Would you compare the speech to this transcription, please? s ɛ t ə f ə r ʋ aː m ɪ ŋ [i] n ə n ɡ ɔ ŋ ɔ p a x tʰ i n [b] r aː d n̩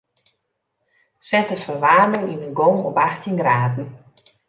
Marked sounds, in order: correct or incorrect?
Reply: correct, incorrect

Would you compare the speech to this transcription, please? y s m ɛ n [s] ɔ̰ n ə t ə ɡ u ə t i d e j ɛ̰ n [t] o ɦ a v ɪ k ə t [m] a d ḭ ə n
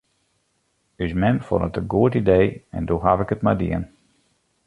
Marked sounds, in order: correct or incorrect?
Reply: incorrect, incorrect, correct

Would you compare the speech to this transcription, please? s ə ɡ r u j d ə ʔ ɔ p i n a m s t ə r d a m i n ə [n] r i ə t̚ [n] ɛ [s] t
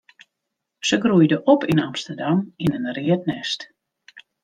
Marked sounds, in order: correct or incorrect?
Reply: correct, correct, correct

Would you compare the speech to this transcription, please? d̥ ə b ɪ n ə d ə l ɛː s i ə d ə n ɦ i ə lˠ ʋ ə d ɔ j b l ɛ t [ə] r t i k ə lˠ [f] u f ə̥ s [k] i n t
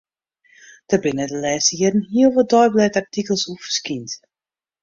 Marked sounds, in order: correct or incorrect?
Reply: incorrect, incorrect, correct

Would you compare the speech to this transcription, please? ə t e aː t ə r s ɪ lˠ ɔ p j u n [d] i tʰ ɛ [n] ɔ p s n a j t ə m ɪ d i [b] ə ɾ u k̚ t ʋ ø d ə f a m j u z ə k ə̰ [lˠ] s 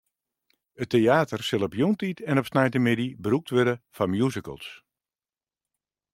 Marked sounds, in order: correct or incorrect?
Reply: incorrect, correct, correct, correct

